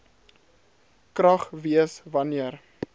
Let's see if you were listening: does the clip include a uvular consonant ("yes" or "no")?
yes